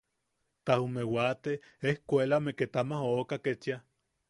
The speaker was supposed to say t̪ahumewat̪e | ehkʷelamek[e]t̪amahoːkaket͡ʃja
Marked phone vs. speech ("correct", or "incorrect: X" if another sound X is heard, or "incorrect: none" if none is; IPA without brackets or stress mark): correct